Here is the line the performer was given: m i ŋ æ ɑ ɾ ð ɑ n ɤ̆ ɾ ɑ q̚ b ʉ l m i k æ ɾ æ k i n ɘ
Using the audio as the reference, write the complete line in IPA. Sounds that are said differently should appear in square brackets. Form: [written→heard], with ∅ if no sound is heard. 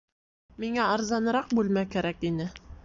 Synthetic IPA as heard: m i ŋ æ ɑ ɾ [ð→z] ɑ n ɤ̆ ɾ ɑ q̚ b ʉ l m [i→æ] k æ ɾ æ k i n ɘ